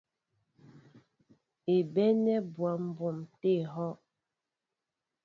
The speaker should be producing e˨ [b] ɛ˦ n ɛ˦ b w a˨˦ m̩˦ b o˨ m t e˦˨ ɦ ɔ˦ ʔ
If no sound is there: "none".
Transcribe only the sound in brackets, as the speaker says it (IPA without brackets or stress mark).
b